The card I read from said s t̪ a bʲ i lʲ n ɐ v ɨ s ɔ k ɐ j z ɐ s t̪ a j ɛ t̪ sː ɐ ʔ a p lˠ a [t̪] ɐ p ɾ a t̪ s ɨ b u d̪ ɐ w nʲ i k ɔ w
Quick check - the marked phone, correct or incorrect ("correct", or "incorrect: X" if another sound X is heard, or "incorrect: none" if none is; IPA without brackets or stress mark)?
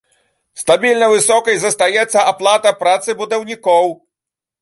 correct